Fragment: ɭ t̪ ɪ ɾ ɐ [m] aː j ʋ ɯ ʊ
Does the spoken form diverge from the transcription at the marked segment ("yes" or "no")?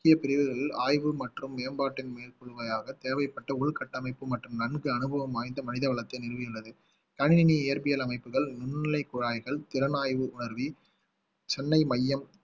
yes